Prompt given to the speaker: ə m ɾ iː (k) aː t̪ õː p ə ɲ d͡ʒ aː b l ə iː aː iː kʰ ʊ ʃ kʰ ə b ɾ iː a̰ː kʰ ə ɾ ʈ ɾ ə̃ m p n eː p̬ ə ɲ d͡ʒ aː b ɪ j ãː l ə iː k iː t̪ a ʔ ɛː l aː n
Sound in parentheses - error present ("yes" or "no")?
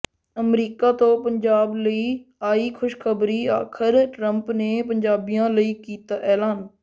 no